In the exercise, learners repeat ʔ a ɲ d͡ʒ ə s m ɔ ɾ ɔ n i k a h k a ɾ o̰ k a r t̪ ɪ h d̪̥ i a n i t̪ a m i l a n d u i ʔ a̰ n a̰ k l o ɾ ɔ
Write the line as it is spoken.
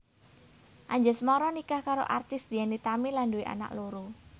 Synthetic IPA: ʔ a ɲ d͡ʒ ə s m ɔ ɾ ɔ n i k a h k a ɾ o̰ ʔ a r t̪ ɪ s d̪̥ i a n i t̪ a m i l a n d u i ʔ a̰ n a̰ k l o ɾ u